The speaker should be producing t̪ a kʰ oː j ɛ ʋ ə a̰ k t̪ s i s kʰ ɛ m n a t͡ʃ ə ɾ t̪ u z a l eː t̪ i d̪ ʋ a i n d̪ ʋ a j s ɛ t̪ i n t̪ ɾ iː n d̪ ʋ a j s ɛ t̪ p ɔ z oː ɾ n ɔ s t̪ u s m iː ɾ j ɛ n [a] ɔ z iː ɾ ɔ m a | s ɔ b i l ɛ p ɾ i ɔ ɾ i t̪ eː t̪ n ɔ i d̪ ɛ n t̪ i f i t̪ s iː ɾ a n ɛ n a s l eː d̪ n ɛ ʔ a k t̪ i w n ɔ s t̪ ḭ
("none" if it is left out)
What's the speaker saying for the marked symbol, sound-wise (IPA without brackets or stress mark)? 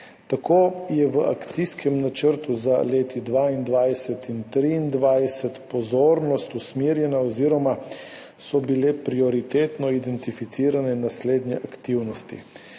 a